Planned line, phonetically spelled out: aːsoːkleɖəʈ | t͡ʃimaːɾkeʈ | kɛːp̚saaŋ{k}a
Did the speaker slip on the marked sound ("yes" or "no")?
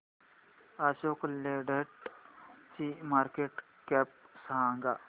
yes